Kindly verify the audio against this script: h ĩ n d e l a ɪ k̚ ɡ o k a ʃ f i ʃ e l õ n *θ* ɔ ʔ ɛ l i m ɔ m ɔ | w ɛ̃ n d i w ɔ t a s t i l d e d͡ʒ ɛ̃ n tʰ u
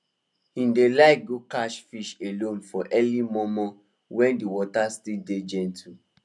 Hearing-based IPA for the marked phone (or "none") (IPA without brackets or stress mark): f